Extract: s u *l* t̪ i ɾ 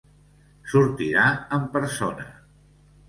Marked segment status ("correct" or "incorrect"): incorrect